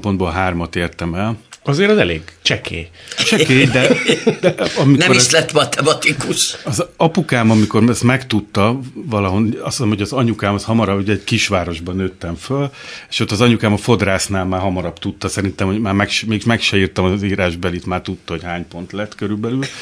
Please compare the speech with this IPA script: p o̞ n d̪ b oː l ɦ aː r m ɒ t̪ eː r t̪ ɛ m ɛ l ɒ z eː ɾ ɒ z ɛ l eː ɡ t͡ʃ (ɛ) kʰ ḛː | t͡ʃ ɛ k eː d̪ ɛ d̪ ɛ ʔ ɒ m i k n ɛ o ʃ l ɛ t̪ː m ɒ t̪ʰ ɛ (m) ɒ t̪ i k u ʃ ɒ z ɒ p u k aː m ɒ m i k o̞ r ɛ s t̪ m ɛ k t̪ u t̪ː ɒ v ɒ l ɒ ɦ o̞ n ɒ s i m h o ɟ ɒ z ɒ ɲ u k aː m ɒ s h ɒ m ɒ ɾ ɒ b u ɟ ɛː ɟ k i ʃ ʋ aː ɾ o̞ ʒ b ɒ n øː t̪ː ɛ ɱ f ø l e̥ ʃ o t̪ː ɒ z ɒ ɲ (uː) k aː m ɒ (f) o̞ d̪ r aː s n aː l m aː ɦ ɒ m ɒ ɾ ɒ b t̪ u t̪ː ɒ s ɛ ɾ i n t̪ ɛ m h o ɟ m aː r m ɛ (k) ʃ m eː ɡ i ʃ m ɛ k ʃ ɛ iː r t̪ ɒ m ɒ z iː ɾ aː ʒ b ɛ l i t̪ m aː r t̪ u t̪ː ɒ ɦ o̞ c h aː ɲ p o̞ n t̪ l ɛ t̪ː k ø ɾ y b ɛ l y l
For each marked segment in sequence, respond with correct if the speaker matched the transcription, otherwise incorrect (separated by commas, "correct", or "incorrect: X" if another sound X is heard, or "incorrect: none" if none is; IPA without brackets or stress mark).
correct, correct, incorrect: u, correct, correct